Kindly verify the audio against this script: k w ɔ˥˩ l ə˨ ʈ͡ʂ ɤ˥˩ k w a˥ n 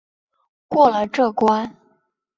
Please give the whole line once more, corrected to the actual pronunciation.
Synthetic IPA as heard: k w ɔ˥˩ l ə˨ ʈ͡ʂ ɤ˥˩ k w a˥ n